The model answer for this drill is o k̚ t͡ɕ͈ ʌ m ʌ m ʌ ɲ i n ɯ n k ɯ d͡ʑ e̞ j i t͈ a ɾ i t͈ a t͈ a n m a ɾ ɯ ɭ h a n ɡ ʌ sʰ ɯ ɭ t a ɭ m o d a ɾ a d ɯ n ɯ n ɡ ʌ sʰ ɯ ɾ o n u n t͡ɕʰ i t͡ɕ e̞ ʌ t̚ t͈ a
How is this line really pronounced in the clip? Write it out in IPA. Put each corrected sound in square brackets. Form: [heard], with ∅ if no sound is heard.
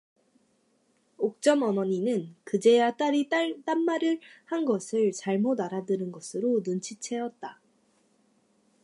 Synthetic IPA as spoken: o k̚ t͡ɕ͈ ʌ m ʌ m ʌ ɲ i n ɯ n k ɯ d͡ʑ e̞ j [a] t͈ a ɾ i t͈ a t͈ a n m a ɾ ɯ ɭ h a n ɡ ʌ sʰ ɯ ɭ [t͡ɕ] a ɭ m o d a ɾ a d ɯ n ɯ n ɡ ʌ sʰ ɯ ɾ o n u n t͡ɕʰ i [t͡ɕʰ] e̞ ʌ t̚ t͈ a